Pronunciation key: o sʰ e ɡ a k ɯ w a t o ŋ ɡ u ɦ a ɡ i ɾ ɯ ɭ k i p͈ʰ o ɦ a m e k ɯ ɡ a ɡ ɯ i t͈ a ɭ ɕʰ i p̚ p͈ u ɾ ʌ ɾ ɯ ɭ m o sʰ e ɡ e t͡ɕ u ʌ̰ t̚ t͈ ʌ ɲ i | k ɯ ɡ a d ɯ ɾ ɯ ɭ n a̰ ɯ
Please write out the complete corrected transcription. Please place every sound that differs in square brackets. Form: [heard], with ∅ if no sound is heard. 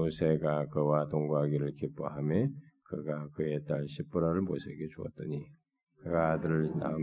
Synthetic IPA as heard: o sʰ e ɡ a k ɯ w a t o ŋ ɡ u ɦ a ɡ i ɾ ɯ ɭ k i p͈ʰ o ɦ a m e k ɯ ɡ a [k] ɯ [e] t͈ a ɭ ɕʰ i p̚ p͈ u ɾ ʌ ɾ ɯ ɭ m o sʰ e ɡ e t͡ɕ u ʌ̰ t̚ t͈ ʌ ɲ i | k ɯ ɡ a d ɯ ɾ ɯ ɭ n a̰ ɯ